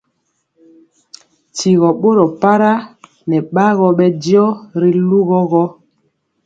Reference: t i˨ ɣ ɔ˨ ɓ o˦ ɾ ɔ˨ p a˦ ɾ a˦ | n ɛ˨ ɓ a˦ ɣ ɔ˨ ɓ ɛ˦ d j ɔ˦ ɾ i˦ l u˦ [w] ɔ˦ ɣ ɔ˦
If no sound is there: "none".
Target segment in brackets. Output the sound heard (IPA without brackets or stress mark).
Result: ɣ